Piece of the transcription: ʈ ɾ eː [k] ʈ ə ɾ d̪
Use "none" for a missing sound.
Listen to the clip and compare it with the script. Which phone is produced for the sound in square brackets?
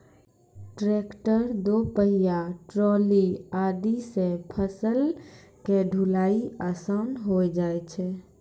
k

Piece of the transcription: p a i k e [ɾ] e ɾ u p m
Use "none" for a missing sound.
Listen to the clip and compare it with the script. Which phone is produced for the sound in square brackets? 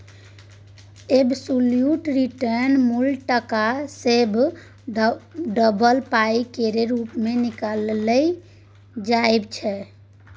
ɾ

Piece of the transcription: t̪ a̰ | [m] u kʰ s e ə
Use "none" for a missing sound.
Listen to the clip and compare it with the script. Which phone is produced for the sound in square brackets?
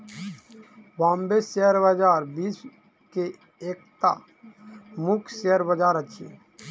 m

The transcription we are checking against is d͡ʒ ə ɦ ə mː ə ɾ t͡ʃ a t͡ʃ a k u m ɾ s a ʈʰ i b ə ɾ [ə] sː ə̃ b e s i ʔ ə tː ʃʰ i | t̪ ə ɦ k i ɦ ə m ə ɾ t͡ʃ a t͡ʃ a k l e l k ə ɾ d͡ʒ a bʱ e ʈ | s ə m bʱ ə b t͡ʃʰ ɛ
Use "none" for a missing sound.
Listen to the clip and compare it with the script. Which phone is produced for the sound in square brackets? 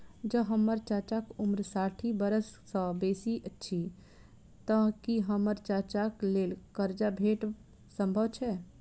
ə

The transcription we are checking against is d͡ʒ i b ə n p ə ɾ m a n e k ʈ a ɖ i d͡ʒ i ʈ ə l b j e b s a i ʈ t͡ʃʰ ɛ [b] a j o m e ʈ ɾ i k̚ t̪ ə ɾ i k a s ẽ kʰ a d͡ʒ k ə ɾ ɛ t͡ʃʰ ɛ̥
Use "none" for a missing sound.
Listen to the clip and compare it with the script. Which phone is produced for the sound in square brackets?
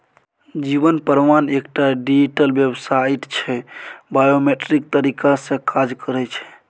b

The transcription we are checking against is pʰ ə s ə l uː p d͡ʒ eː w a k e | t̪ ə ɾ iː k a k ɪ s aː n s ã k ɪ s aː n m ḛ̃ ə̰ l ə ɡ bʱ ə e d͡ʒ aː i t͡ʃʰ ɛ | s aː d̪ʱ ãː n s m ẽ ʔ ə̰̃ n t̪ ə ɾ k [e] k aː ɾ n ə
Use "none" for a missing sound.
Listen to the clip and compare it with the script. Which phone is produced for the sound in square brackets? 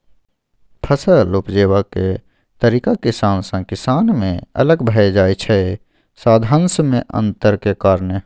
e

